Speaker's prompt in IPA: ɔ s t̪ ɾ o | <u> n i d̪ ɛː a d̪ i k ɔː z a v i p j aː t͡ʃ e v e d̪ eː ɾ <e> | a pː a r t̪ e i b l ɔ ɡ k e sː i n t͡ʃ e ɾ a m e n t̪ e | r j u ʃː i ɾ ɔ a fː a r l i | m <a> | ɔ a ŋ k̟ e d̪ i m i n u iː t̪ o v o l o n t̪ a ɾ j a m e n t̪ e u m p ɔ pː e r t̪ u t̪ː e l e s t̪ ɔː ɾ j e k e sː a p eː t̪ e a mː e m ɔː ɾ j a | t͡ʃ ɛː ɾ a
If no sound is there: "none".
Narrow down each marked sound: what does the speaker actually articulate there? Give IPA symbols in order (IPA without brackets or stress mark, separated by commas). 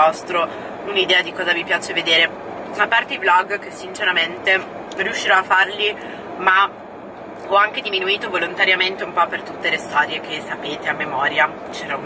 u, e, a